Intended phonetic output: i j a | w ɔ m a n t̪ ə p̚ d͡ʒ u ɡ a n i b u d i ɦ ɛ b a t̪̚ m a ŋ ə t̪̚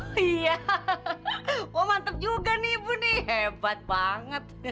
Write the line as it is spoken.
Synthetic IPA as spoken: i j a | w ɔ m a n t̪ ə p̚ d͡ʒ u ɡ a n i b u n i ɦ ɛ b a t̪̚ b a ŋ ə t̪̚